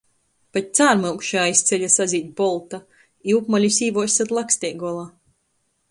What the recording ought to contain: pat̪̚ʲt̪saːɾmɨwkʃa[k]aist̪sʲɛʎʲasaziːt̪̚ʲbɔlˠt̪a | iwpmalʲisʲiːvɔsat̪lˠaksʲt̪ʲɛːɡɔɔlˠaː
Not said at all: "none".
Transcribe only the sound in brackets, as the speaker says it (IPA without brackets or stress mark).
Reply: none